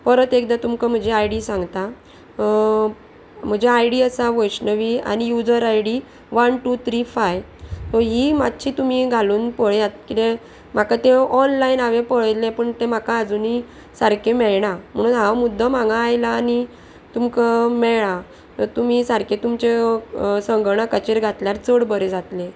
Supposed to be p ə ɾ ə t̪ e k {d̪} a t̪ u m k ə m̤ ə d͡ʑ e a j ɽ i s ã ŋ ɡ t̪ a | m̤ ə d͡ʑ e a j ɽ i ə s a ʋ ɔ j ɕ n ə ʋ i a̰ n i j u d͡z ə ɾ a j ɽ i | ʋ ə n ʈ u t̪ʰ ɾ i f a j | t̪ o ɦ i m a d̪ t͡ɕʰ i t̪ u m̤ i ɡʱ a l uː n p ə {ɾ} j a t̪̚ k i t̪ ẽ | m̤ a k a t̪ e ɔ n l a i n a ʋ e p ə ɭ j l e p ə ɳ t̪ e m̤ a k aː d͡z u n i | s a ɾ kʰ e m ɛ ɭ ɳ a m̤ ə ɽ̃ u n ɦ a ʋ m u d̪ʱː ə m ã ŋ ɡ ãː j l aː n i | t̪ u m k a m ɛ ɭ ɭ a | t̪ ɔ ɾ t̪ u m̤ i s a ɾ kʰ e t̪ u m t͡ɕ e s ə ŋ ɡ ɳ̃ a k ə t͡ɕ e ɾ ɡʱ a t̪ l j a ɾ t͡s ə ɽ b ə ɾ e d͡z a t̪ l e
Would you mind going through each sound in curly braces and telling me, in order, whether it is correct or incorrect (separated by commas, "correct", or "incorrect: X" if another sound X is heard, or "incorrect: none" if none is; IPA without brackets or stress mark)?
correct, incorrect: ɭ